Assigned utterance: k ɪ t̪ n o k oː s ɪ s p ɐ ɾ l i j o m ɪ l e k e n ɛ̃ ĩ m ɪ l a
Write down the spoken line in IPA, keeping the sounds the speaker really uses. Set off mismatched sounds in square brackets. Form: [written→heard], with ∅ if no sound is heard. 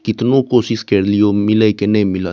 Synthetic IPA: k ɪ t̪ n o k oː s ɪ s [p→k] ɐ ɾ l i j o m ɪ l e k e n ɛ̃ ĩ m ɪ l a